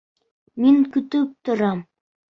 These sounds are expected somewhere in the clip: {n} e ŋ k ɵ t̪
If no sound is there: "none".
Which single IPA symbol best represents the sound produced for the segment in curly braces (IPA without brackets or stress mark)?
m